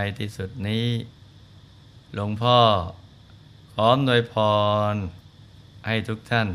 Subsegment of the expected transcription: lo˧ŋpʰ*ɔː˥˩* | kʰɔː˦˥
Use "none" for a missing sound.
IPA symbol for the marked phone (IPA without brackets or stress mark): ɔː˥˩